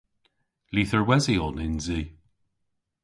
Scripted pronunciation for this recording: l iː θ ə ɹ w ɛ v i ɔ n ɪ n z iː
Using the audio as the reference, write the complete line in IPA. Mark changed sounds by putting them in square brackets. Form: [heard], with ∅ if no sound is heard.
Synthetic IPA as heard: l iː θ ə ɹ w ɛ [z] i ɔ n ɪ n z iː